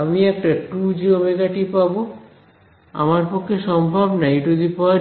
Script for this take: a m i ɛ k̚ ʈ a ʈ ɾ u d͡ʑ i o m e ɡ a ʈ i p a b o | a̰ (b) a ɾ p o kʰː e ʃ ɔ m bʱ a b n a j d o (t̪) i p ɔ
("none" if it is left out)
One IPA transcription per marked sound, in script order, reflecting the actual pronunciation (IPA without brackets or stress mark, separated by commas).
m, d̪